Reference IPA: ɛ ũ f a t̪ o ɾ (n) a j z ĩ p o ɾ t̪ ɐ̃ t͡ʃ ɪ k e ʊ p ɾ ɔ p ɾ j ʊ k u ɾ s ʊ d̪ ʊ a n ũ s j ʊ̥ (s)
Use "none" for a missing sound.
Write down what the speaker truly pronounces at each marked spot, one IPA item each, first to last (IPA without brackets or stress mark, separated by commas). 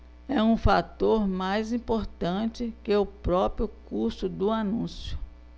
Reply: m, none